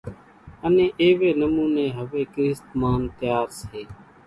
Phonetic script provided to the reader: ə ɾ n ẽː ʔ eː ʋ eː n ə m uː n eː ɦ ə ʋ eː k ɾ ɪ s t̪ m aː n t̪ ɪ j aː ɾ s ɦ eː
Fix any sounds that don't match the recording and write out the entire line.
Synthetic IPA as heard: ə n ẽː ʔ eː ʋ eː n ə m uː n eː ɦ ə ʋ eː k ɾ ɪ s t̪ m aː n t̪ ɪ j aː ɾ s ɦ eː